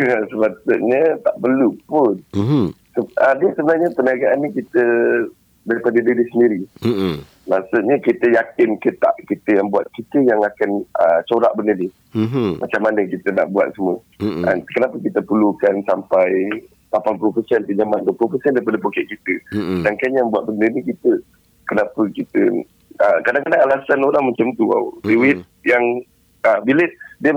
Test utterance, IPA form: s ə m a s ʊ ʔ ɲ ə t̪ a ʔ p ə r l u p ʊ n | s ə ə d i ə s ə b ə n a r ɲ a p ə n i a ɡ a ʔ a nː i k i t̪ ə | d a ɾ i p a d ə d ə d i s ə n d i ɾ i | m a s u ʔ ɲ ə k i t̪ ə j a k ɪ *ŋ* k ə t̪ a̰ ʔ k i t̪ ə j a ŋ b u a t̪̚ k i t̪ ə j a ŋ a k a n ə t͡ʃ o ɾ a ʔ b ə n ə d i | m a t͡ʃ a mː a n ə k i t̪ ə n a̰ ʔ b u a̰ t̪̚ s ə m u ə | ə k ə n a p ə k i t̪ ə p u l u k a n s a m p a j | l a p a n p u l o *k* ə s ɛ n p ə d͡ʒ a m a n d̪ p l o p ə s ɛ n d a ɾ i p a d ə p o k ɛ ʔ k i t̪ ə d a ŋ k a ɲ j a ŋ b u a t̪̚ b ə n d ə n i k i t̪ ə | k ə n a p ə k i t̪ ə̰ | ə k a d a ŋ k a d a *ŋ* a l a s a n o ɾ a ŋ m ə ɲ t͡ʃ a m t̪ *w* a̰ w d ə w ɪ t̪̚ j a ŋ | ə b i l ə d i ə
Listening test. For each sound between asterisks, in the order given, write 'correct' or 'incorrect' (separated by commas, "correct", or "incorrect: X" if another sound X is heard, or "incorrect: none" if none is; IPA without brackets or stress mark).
incorrect: n, incorrect: p, correct, incorrect: u